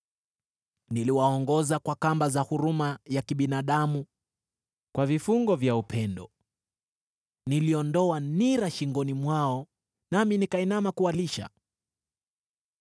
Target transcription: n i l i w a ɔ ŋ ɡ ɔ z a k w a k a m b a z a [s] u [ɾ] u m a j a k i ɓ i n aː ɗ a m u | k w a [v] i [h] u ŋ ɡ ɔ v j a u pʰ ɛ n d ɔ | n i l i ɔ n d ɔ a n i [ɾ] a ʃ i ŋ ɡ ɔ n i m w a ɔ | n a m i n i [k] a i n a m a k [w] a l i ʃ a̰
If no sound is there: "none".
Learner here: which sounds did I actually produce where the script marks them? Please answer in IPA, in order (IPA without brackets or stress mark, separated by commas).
h, ɾ, v, f, ɾ, k, u